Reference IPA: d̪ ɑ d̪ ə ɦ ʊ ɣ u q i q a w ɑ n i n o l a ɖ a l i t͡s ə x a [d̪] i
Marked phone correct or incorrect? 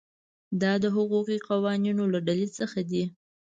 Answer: correct